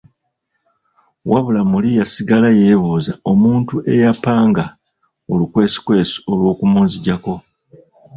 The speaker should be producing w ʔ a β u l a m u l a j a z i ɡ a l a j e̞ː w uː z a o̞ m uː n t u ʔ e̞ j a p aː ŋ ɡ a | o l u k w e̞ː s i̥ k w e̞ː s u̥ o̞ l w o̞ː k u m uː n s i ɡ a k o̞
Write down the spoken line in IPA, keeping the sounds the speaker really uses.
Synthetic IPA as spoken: w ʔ a β u l a m u l i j a s i ɡ a l a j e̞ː β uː z a o̞ m uː n t u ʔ e̞ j a p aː ŋ ɡ a | o l u k w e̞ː s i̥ k w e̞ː s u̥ o̞ l w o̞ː k u m uː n z i ɟ a k o̞